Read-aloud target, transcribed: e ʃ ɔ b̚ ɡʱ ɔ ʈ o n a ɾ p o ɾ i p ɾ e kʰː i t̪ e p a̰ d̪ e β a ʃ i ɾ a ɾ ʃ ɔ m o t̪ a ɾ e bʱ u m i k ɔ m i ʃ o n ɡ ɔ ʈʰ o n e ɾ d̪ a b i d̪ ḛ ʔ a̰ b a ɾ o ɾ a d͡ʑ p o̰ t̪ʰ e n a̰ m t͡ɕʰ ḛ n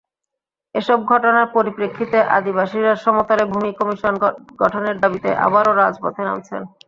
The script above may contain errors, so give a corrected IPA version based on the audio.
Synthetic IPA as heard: e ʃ ɔ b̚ ɡʱ ɔ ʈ o n a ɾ p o ɾ i p ɾ e kʰː i t̪ e ʔ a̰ d̪ i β a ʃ i ɾ a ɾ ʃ ɔ m o t̪ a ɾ e bʱ u m i k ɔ m i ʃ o n ɡ ɔ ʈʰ o n e ɾ d̪ a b i t̪ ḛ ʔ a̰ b a ɾ o ɾ a d͡ʑ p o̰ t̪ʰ e n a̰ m t͡ɕʰ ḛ n